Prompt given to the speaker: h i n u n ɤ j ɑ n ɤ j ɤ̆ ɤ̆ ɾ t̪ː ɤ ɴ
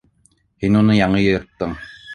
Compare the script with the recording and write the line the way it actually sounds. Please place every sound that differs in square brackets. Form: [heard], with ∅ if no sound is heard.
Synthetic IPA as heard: h i n u n ɤ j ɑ [ɴ] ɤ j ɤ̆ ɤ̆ ɾ t̪ː ɤ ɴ